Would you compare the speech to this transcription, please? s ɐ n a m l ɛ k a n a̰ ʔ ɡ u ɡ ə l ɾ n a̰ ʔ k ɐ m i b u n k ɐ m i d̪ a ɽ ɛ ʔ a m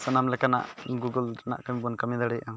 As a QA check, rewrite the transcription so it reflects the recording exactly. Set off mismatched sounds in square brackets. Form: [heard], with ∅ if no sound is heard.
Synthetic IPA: s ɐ n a m l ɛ k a n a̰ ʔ ɡ u ɡ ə l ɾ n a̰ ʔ k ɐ m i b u n k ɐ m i d̪ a ɽ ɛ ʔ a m